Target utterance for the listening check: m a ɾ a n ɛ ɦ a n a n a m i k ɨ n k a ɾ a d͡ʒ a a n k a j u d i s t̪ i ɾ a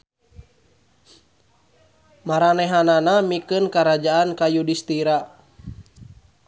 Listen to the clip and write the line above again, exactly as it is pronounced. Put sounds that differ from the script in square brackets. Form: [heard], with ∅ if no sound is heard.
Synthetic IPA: m a ɾ a n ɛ ɦ a n a n a m i k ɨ n k a ɾ a d͡ʒ a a n k a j u d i s t̪ i ɾ a